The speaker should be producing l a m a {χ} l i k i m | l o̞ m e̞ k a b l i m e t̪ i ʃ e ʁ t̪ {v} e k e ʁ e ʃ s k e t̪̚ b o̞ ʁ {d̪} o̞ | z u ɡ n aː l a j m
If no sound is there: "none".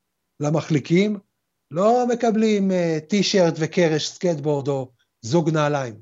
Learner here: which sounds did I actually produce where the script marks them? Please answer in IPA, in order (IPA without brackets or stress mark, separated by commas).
χ, v, d̪